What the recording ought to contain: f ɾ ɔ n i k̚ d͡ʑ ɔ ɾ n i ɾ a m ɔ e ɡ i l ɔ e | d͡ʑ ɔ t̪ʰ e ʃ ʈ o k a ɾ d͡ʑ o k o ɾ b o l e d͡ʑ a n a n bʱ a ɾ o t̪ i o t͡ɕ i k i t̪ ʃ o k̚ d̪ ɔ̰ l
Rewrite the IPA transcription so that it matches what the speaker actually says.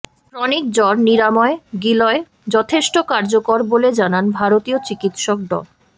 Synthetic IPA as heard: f ɾ ɔ n i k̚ d͡ʑ ɔ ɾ n i ɾ a m ɔ e ɡ i l ɔ e | d͡ʑ ɔ t̪ʰ e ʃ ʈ o k a ɾ d͡ʑ o k o ɾ b o l e d͡ʑ a n a n bʱ a ɾ o t̪ i o t͡ɕ i k i t̪ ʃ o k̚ d̪ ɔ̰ l